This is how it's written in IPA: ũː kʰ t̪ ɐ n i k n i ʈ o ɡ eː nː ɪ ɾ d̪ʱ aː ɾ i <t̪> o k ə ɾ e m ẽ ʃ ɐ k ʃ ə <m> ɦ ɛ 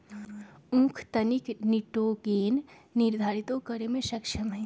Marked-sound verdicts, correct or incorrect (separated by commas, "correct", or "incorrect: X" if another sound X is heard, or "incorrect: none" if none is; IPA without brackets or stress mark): correct, correct